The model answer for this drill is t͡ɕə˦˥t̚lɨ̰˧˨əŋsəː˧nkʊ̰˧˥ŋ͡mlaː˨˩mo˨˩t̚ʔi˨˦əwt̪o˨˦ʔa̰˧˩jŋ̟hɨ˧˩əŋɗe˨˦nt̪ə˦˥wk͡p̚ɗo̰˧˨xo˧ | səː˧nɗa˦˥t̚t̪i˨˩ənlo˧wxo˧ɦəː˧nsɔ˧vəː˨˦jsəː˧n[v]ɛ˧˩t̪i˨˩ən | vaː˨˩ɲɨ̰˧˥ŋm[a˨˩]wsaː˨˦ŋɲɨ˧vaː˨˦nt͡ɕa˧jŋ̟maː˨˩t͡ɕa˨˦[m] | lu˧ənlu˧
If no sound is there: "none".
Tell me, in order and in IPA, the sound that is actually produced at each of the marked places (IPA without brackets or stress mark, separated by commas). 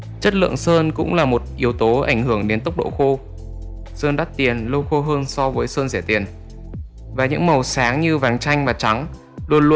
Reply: z, ə˨˩, ŋ